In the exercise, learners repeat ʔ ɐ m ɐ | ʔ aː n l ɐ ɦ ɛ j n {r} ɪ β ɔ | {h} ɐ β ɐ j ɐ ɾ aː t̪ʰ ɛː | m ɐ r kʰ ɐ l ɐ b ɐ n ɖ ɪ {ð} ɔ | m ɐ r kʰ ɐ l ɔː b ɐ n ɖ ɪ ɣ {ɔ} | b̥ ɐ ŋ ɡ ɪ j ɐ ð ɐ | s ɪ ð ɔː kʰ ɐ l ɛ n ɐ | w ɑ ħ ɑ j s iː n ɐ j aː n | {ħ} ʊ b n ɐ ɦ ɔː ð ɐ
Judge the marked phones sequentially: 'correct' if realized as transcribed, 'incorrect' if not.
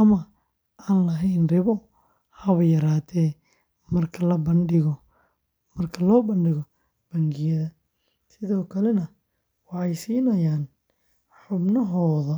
correct, correct, incorrect: ɣ, correct, correct

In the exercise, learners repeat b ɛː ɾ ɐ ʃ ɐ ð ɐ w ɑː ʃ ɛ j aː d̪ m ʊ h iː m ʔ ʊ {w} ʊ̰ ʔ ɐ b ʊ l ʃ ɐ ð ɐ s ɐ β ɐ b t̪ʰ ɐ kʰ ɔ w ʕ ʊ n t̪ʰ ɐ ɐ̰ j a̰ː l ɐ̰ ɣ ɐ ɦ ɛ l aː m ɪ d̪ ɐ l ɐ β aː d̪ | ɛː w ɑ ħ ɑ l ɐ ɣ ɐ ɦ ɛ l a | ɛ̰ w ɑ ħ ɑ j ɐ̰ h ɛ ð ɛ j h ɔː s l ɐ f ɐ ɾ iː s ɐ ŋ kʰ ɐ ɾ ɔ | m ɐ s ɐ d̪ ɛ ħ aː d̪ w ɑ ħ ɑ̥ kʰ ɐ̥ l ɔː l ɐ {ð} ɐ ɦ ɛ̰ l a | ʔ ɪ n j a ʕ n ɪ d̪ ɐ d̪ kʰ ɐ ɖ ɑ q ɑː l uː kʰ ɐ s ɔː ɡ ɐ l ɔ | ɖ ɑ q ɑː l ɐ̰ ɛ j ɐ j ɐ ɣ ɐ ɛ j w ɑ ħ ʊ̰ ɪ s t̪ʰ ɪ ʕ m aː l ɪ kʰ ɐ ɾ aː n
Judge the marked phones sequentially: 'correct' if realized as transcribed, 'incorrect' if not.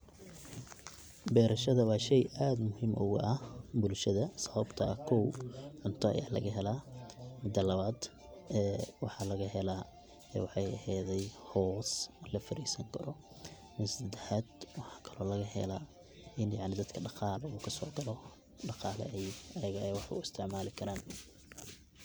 incorrect: ɣ, incorrect: ɣ

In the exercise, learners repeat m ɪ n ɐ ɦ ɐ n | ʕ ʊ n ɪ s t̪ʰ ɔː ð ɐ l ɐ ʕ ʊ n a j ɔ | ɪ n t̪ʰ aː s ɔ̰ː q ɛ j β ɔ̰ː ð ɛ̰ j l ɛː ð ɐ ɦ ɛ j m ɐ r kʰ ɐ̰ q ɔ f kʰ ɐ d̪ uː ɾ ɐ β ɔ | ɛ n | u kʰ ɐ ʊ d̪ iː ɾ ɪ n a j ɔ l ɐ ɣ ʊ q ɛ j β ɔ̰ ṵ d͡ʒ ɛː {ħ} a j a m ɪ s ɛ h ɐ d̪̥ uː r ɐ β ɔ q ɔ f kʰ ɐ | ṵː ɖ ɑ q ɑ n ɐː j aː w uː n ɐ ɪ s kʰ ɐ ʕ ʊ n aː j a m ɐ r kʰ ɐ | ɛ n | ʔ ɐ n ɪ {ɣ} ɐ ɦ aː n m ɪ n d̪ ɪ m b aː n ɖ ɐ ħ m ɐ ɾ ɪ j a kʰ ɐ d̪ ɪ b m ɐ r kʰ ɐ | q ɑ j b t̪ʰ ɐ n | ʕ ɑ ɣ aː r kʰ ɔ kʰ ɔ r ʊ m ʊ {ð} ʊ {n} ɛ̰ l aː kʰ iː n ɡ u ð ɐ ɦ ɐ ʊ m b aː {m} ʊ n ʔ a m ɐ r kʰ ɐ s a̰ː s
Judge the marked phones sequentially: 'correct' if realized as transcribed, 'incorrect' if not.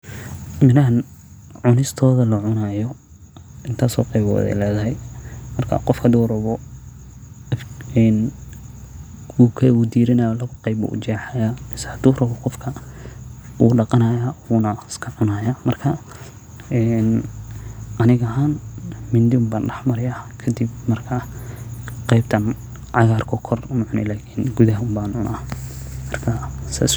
correct, correct, incorrect: ʕ, correct, incorrect: n

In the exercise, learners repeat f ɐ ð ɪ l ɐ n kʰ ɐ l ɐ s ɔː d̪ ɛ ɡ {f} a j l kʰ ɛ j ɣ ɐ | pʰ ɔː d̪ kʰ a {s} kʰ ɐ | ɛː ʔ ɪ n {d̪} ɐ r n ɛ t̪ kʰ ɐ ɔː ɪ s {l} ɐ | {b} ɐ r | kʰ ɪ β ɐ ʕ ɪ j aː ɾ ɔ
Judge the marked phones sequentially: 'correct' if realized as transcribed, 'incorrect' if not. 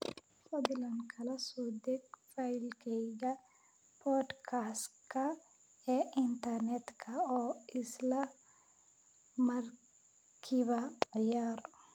correct, correct, incorrect: t̪, correct, incorrect: m

